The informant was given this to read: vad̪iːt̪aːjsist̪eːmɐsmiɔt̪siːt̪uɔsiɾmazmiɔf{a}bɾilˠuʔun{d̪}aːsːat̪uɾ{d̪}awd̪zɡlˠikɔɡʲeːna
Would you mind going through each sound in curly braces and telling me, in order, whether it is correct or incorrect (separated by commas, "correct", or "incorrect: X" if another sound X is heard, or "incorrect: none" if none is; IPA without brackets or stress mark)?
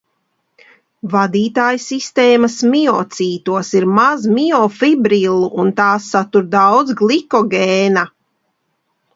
incorrect: i, incorrect: t̪, correct